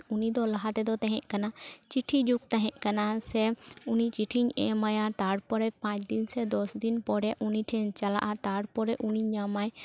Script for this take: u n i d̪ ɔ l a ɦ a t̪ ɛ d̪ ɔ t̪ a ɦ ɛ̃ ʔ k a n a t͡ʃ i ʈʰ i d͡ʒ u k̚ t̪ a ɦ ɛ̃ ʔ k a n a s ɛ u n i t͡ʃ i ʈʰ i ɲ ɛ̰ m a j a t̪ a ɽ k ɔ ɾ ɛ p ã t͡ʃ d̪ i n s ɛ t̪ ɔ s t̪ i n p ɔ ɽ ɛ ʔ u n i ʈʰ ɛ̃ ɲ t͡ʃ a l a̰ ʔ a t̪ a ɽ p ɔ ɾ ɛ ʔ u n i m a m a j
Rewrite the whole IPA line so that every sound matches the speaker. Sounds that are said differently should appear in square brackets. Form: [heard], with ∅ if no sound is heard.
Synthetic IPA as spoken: u n i d̪ ɔ l a ɦ a t̪ ɛ d̪ ɔ t̪ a ɦ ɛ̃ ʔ k a n a t͡ʃ i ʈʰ i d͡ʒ u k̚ t̪ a ɦ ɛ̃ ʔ k a n a s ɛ u n i t͡ʃ i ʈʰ i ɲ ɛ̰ m a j a t̪ a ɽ [p] ɔ ɾ ɛ p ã t͡ʃ d̪ i n s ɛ [d̪] ɔ s [d̪] i n p ɔ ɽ ɛ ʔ u n i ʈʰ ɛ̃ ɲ t͡ʃ a l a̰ ʔ a t̪ a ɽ p ɔ ɾ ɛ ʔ u n i [ɲ] a m a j